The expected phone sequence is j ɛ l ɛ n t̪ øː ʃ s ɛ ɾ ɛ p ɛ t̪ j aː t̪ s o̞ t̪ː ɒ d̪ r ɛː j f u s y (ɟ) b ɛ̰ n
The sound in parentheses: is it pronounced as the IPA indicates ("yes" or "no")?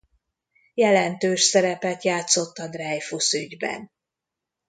yes